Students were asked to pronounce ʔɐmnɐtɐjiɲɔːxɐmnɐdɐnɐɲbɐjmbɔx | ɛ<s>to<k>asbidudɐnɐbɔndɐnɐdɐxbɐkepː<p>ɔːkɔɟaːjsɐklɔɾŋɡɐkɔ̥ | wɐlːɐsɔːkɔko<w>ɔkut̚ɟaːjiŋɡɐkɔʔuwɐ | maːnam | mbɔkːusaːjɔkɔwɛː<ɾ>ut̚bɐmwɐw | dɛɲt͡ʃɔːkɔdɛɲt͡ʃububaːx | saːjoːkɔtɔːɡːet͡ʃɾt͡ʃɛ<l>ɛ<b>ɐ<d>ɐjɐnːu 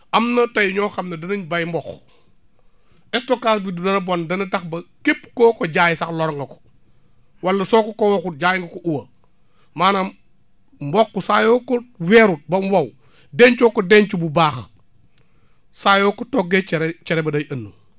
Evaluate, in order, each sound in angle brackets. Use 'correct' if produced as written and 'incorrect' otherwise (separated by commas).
correct, correct, incorrect, correct, correct, incorrect, correct, correct